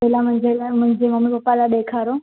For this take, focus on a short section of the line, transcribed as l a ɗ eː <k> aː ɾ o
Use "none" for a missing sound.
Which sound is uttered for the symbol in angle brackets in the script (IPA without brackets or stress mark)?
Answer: kʰ